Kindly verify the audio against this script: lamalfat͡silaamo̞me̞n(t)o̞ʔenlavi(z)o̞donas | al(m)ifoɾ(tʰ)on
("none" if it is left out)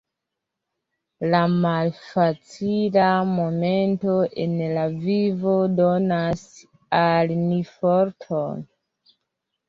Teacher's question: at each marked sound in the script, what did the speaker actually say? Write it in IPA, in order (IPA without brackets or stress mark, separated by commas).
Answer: t, v, n, tʰ